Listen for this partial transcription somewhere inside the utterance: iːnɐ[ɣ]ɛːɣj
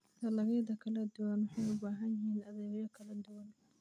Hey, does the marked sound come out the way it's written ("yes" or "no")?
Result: no